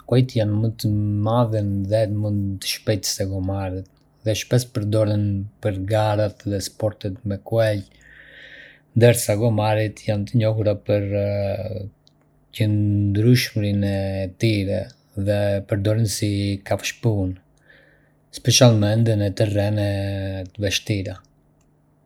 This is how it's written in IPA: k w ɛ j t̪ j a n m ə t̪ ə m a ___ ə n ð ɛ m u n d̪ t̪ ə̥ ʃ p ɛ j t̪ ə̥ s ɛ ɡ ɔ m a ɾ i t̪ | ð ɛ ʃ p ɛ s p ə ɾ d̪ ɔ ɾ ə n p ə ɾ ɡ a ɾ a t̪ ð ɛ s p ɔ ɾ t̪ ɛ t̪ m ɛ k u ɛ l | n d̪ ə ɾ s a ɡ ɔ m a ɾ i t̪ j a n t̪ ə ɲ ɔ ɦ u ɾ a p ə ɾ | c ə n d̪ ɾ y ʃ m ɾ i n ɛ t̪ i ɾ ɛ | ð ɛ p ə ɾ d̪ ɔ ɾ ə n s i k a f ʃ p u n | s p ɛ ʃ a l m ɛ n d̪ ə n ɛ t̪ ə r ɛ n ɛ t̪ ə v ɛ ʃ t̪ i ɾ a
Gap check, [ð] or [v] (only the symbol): ð